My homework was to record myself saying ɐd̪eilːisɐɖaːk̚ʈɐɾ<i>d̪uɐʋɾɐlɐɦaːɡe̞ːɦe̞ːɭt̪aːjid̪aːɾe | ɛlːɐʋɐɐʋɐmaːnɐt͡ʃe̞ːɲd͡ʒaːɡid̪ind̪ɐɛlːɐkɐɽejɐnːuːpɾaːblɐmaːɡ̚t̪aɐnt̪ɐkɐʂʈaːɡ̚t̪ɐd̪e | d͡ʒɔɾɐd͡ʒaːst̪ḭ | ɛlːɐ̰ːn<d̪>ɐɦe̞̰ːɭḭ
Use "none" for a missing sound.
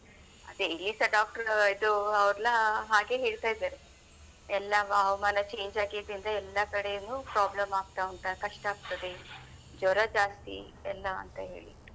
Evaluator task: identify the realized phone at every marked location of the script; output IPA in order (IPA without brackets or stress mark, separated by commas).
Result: i, t̪